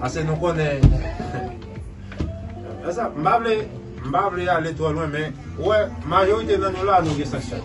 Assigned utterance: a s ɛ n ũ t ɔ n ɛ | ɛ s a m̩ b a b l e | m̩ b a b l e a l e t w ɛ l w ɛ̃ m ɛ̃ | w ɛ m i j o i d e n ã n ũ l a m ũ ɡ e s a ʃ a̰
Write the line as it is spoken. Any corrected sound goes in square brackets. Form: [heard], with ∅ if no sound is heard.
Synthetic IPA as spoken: a s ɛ n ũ [k] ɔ n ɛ | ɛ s a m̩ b a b l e | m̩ b a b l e a l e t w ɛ l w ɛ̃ m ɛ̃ | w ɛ m [a] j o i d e n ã n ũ l a [n] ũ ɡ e s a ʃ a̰